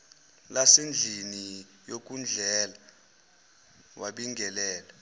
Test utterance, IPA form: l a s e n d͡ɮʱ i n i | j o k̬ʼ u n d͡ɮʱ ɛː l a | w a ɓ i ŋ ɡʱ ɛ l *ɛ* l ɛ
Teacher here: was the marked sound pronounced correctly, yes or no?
no